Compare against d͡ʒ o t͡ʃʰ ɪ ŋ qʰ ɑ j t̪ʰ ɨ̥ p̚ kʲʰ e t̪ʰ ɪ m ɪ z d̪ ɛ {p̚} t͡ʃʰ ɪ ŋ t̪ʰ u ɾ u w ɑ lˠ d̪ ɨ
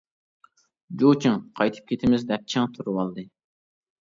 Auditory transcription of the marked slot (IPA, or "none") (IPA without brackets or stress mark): p̚